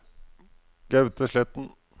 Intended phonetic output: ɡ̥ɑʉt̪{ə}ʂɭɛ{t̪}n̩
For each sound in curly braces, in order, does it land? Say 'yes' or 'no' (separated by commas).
yes, yes